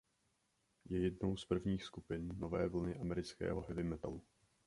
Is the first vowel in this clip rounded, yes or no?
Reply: no